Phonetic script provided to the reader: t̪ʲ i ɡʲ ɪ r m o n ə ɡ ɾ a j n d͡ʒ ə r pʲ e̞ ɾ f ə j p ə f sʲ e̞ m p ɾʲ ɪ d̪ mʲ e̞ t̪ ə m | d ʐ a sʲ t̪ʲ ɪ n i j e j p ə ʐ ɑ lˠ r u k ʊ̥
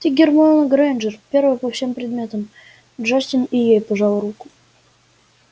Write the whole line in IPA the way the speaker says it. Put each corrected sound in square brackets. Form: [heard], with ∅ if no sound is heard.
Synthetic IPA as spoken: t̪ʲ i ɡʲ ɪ r m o n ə ɡ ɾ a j n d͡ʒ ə r pʲ e̞ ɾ [v] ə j p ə f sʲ e̞ m p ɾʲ ɪ d̪ mʲ e̞ t̪ ə m | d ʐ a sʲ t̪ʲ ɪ n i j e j p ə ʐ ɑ lˠ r u k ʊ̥